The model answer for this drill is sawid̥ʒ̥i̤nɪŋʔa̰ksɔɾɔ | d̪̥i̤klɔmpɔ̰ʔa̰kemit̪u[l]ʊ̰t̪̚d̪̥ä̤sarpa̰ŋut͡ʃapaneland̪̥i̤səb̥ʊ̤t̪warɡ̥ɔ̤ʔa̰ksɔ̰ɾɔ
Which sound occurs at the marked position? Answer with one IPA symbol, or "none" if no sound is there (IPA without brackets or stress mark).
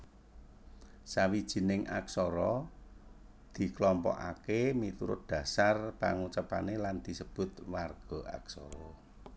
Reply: ɾ